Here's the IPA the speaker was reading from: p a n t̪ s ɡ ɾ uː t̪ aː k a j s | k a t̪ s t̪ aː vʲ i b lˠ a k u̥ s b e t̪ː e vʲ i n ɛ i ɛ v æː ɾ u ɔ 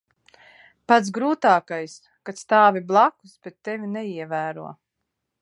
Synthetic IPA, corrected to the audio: p a t̪ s ɡ ɾ uː t̪ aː k a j s | k a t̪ s t̪ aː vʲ i b lˠ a k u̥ s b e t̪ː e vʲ i n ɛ i ɛ v æː ɾ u ɔ